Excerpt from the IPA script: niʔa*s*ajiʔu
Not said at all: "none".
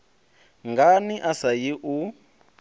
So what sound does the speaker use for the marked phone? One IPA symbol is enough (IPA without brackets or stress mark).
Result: s